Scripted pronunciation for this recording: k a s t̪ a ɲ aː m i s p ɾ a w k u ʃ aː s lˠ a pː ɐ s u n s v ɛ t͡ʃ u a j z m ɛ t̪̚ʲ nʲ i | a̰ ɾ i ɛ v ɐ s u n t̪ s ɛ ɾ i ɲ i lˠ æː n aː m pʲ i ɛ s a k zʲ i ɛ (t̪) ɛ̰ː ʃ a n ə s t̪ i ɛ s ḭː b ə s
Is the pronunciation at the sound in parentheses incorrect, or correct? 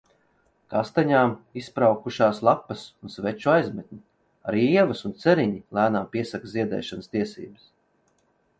incorrect